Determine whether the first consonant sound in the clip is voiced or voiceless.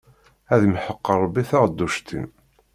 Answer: voiced